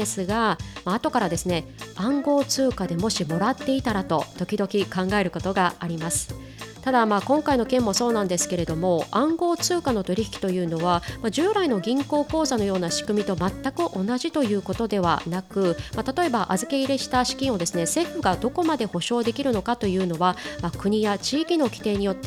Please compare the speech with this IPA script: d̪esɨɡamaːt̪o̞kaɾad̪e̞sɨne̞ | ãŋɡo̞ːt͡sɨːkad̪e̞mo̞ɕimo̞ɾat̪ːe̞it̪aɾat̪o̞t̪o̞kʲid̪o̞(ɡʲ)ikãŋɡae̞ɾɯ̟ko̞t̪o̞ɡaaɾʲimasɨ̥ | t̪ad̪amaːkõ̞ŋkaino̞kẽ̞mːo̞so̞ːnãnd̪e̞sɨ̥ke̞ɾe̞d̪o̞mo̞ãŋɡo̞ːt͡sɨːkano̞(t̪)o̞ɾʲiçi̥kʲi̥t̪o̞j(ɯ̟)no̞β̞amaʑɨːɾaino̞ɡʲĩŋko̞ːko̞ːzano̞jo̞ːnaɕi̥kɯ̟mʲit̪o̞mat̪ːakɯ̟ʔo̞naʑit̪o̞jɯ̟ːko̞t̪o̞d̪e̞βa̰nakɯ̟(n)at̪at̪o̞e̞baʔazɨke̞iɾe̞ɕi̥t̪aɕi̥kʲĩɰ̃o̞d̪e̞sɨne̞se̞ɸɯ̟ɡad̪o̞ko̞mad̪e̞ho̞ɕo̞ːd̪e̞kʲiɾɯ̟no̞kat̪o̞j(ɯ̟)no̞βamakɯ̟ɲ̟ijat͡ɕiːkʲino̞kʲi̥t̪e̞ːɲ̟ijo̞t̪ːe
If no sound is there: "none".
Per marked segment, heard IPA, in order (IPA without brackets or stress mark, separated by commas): kʲ, t̪, ɯ̟ː, m, ɯ̟ː